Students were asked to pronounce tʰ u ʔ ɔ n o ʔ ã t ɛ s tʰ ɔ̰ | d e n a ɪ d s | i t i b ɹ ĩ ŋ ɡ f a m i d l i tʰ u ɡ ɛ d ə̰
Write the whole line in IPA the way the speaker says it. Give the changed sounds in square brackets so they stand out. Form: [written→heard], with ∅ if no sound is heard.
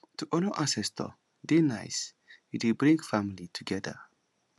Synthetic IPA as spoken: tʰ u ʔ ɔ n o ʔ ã [t→s] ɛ s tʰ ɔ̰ | d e n a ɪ [d→∅] s | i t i b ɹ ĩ ŋ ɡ f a m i [d→∅] l i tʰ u ɡ ɛ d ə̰